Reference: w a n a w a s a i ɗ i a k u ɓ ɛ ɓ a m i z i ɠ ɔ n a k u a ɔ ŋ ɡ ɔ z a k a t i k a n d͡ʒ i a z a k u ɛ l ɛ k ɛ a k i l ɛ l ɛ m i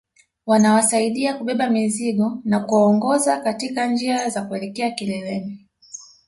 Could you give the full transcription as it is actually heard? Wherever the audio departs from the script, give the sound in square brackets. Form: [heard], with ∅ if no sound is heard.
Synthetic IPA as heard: w a n a w a s a i ɗ i a k u ɓ ɛ ɓ a m i z i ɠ ɔ n a k u a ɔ ŋ ɡ ɔ z a k a t i k a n d͡ʒ i a z a k u ɛ l ɛ k ɛ a k i l ɛ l ɛ m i